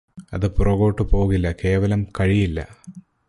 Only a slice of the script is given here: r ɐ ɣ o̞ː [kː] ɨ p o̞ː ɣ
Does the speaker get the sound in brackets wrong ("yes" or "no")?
yes